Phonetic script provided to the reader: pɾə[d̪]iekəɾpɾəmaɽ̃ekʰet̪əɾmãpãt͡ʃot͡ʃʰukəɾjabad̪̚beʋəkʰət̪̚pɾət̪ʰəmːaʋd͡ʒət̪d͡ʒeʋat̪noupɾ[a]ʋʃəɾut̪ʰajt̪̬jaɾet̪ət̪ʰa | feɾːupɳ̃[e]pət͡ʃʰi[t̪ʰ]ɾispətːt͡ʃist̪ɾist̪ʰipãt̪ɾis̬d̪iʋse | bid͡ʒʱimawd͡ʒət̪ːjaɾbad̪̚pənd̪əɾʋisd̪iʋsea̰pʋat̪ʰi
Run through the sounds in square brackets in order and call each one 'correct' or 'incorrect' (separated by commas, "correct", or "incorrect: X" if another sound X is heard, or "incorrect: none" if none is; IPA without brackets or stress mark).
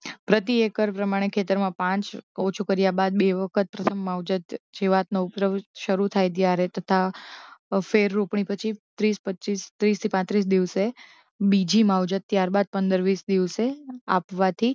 incorrect: t̪, incorrect: ə, incorrect: i, incorrect: t̪